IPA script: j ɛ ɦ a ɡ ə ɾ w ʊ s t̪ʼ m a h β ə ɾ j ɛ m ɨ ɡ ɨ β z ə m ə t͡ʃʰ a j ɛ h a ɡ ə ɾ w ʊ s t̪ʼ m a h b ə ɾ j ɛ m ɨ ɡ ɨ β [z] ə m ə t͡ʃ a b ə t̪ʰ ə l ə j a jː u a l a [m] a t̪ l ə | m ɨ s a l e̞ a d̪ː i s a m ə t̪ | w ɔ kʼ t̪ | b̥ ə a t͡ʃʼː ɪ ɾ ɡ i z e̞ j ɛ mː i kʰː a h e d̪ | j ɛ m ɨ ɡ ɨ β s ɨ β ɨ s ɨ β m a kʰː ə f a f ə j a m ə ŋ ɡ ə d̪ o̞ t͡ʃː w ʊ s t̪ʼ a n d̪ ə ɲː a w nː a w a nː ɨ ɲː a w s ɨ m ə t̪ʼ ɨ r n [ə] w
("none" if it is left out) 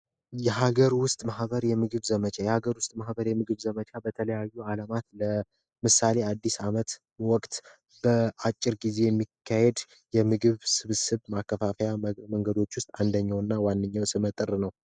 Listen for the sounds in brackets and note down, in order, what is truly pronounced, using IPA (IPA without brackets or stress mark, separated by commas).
z, m, ə